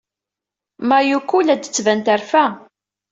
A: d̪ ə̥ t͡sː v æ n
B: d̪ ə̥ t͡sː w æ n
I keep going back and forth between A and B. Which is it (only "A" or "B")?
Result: A